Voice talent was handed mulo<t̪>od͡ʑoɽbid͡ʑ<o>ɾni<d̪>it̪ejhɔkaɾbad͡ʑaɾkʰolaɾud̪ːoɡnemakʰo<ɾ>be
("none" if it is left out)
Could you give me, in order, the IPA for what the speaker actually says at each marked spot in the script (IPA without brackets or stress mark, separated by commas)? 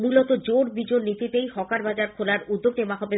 t̪, o, t̪, none